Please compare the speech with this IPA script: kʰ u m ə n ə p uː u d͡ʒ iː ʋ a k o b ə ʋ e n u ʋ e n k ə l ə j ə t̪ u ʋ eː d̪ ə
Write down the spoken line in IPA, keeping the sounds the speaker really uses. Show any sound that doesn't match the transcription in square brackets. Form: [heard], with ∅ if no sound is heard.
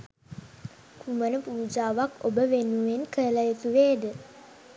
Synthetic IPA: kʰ u m ə n ə p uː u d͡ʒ [aː] ʋ a k o b ə ʋ e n u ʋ e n k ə l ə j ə t̪ u ʋ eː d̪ ə